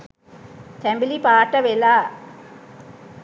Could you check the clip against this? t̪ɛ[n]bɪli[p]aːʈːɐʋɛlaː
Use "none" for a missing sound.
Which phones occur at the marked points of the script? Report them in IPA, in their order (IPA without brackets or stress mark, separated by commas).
m, p